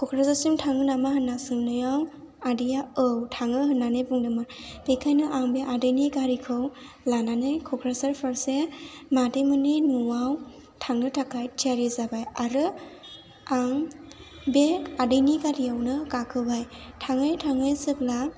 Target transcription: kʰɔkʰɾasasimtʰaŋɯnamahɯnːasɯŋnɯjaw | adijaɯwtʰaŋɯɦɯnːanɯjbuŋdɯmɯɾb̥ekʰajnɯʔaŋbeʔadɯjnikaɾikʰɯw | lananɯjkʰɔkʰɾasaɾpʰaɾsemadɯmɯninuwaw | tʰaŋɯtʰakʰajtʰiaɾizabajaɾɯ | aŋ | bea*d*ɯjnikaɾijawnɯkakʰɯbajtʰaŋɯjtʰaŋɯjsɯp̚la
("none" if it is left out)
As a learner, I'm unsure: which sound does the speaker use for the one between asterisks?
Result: d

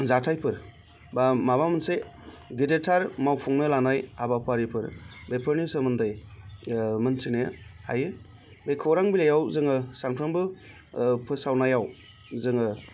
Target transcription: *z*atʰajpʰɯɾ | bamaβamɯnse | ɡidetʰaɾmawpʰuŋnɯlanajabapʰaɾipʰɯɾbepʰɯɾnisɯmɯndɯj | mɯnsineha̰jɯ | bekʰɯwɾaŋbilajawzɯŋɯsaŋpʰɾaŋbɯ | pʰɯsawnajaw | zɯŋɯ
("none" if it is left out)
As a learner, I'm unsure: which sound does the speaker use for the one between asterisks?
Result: z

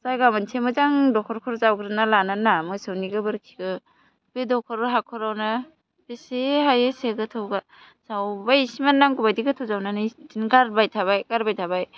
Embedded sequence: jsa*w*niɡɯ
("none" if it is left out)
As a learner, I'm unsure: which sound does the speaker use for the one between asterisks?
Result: w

